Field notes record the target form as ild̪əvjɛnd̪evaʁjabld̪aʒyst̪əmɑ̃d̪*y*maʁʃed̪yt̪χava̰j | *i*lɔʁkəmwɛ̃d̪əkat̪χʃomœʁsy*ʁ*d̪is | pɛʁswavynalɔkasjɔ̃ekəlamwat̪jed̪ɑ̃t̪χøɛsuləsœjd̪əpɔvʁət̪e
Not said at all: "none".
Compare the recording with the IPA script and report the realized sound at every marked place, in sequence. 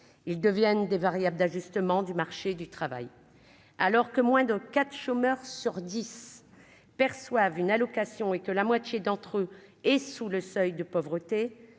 y, a, ʁ

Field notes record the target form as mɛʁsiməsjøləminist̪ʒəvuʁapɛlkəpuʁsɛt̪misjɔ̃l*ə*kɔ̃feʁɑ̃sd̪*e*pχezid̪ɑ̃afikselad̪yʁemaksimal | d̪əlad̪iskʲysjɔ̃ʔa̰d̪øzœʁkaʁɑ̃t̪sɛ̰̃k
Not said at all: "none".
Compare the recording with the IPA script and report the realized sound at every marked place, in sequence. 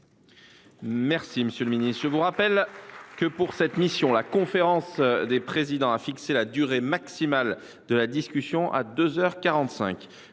a, e

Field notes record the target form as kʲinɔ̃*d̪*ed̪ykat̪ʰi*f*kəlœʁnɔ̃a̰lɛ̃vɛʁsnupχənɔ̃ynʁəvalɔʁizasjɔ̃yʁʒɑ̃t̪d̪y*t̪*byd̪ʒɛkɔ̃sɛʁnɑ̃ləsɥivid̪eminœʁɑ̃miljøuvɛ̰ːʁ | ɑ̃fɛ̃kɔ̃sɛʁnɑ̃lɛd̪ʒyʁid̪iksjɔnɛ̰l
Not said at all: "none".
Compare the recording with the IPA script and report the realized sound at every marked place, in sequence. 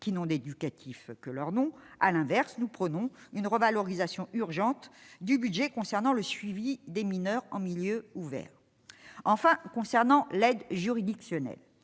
d̪, f, none

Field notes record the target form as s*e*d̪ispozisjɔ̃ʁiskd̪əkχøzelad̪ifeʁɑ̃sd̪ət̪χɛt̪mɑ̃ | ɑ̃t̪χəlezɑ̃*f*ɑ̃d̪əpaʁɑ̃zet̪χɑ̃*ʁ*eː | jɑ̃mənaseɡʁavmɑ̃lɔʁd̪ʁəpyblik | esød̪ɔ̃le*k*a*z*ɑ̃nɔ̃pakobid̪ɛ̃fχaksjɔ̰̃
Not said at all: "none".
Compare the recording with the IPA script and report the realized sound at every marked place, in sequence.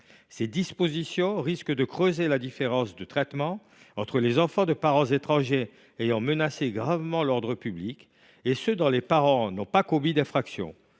e, f, ʒ, p, ʁ

